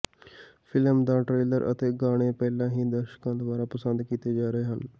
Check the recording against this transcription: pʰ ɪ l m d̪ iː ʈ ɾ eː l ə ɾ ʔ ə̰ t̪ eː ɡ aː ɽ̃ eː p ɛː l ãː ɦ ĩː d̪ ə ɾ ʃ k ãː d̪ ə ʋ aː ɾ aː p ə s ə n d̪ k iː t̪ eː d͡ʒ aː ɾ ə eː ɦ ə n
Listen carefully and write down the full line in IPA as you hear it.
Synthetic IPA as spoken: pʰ ɪ l m d̪ aː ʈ ɾ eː l ə ɾ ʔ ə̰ t̪ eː ɡ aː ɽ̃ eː p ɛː l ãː ɦ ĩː d̪ ə ɾ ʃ k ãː d̪ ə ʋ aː ɾ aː p ə s ə n d̪ k iː t̪ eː d͡ʒ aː ɾ ə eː ɦ ə n